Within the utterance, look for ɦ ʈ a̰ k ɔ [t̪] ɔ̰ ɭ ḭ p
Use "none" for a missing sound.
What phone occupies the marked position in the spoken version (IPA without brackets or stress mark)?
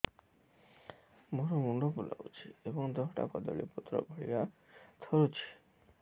d̪